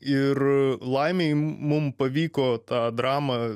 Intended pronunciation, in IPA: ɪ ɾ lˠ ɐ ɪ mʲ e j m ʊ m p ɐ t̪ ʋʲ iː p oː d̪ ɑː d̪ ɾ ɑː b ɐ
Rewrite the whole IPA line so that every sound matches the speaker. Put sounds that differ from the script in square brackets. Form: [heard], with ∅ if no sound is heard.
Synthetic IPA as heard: ɪ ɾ lˠ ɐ ɪ mʲ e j m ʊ m p ɐ [∅] ʋʲ iː [k] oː [t̪] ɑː d̪ ɾ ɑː [m] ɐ